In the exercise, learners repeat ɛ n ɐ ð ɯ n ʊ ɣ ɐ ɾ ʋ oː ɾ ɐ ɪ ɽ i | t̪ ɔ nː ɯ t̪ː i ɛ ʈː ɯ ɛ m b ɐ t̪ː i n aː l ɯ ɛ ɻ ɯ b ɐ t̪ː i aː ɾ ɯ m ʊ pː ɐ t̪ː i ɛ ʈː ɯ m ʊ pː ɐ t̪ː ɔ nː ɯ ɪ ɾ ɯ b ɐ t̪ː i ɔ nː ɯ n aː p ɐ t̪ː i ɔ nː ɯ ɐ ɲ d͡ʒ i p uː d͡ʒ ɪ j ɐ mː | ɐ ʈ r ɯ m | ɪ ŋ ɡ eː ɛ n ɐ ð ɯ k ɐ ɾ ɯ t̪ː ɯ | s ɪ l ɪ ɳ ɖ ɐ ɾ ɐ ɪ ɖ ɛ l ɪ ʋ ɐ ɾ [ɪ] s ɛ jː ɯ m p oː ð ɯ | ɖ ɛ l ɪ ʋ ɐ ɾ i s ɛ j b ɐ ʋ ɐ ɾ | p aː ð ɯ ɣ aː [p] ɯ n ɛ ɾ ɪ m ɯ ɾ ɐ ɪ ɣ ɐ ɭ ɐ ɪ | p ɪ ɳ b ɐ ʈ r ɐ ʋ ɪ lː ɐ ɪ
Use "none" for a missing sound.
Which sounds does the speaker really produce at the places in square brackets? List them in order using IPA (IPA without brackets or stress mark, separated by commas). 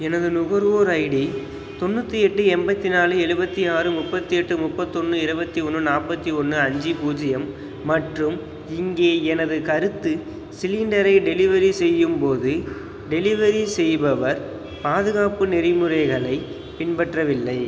i, p